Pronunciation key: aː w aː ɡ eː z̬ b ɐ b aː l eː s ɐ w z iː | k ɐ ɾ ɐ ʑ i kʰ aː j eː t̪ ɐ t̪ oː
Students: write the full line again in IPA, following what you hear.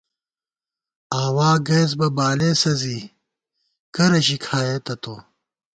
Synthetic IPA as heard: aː w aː ɡ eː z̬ b ɐ b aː l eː s ɐ z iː | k ɐ ɾ ɐ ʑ i kʰ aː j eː t̪ ɐ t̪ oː